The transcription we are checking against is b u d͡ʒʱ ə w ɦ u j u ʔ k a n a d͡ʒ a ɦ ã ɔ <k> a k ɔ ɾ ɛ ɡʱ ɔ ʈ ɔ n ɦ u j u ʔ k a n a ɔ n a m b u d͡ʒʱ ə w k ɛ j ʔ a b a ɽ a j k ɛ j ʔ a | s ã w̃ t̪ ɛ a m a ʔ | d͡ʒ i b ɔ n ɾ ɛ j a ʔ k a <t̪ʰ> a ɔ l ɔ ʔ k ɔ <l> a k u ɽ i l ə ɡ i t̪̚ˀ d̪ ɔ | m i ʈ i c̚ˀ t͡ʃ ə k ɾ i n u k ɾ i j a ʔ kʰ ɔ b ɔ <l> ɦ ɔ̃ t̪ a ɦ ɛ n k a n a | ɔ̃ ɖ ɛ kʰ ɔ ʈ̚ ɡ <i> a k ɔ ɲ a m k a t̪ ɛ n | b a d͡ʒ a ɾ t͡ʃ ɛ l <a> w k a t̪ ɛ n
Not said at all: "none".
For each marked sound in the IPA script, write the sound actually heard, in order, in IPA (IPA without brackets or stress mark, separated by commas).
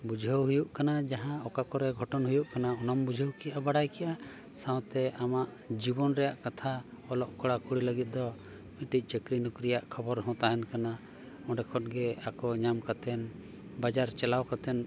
k, t̪ʰ, ɽ, ɾ, ɛ, a